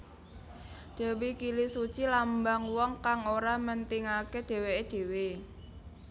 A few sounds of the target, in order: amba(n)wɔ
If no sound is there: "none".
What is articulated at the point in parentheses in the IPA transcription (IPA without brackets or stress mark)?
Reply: ŋ